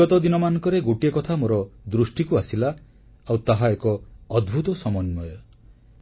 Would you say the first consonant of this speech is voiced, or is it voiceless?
voiceless